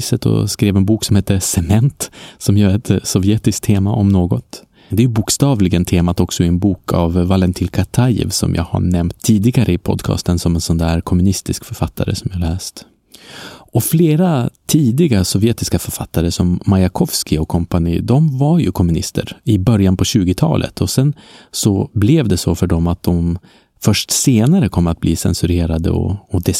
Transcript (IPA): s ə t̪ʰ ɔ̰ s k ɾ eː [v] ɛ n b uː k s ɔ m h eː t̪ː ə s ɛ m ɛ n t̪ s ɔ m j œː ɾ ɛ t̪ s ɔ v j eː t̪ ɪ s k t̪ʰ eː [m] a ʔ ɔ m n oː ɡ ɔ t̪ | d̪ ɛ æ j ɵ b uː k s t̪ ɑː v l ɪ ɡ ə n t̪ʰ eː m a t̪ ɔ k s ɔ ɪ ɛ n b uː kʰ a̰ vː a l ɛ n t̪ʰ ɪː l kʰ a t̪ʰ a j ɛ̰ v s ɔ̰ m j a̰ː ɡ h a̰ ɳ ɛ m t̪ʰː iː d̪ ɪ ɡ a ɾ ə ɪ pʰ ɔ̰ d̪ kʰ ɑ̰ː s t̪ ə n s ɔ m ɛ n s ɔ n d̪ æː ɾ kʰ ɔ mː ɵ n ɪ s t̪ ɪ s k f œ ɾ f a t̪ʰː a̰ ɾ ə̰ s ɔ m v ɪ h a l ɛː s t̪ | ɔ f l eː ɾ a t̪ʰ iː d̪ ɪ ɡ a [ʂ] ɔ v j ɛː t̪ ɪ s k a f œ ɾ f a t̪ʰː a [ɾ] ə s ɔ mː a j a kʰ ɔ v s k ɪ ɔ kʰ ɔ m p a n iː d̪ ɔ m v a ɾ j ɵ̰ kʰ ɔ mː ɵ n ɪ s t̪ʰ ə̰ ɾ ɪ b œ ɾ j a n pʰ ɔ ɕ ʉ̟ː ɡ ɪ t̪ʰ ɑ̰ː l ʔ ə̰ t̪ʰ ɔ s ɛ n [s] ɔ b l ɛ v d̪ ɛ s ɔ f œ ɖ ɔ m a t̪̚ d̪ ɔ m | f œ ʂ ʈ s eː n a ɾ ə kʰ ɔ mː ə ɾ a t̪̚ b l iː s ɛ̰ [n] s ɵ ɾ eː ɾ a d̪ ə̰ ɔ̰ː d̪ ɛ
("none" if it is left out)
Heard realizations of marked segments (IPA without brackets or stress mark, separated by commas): v, m, s, ɾ, s, n